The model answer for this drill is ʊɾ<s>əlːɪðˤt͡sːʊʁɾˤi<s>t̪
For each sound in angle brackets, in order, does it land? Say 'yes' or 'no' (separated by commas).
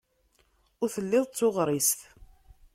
no, yes